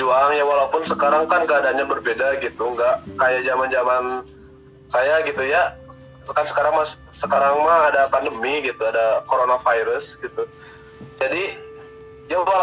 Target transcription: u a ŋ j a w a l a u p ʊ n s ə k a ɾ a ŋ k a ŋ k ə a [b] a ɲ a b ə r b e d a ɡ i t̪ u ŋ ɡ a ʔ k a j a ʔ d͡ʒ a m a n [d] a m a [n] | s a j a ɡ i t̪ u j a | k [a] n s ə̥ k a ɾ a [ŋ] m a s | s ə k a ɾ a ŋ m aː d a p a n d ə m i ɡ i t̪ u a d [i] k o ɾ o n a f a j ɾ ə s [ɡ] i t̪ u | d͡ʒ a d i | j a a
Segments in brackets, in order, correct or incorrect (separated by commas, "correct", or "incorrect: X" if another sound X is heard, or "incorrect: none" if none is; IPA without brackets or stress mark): incorrect: d, incorrect: d͡ʒ, correct, correct, correct, incorrect: a, correct